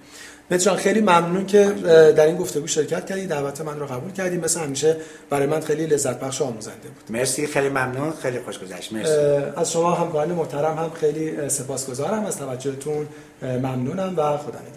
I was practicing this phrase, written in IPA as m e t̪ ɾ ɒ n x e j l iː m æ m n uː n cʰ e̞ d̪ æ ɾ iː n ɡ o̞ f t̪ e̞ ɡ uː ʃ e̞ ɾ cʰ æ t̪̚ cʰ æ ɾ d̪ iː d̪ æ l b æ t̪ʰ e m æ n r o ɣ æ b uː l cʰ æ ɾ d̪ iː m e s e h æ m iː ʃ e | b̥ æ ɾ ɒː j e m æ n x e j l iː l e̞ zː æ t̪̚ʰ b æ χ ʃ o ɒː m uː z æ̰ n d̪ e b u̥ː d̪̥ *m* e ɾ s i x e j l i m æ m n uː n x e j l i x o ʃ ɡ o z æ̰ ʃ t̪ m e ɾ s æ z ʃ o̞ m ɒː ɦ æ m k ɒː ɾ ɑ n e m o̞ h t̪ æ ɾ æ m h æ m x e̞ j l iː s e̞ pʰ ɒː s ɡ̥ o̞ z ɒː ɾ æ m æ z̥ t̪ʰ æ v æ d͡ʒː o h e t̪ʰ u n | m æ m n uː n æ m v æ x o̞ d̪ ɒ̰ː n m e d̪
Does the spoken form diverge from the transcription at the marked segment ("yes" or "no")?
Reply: no